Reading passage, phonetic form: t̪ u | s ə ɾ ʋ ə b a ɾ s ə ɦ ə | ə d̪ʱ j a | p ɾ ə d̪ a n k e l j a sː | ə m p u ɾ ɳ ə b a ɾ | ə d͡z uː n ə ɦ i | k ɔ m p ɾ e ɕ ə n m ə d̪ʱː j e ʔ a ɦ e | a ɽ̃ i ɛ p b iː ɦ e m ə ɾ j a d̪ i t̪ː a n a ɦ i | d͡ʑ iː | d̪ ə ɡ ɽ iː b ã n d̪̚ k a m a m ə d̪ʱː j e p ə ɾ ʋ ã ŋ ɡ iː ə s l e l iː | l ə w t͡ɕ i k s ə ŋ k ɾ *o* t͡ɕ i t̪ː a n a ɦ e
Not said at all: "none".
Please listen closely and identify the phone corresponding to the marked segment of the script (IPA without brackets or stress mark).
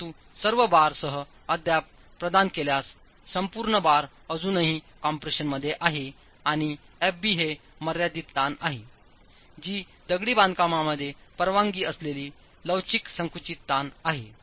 u